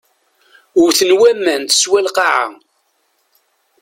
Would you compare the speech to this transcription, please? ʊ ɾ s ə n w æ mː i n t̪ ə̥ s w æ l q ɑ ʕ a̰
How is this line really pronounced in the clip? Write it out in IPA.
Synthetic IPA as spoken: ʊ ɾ θ ə n w æ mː æ n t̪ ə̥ s w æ l q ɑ ʕ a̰